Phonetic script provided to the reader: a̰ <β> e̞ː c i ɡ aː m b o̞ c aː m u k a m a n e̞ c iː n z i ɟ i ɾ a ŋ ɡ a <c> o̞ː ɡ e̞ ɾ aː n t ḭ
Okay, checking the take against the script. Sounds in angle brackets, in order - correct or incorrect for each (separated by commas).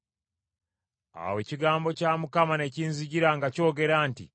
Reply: incorrect, correct